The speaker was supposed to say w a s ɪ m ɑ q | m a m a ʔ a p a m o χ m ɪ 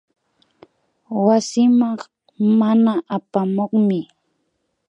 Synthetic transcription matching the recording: w a s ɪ m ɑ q | m a n a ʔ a p a m o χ m ɪ